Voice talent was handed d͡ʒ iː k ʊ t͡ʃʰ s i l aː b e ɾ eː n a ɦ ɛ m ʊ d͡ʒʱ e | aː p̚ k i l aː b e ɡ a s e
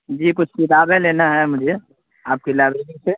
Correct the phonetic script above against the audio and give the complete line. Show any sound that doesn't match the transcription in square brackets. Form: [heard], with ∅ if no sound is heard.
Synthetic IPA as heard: d͡ʒ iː k ʊ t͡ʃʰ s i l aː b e [l] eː n a ɦ ɛ m ʊ d͡ʒʱ e | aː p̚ k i l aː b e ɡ [i] s e